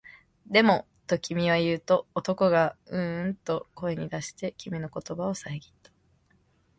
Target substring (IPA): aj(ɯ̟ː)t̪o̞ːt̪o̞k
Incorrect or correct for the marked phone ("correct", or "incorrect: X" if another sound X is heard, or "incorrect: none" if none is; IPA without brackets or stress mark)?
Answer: correct